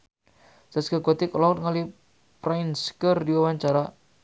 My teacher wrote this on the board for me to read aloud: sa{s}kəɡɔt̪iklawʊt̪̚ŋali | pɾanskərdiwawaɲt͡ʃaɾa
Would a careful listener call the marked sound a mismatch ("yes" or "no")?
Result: no